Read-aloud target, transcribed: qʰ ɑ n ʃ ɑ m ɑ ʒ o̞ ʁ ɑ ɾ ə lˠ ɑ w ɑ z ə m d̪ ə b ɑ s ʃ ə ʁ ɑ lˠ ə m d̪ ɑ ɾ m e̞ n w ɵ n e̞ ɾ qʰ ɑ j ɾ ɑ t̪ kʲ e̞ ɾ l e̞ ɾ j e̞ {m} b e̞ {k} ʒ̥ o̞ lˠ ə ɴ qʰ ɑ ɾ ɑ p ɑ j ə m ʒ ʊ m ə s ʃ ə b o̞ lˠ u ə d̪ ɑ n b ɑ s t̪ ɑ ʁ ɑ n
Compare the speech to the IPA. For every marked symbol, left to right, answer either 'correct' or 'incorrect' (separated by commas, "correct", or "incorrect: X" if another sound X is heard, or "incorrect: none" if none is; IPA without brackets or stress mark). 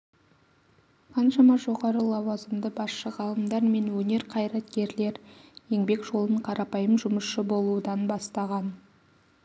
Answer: incorrect: ŋ, correct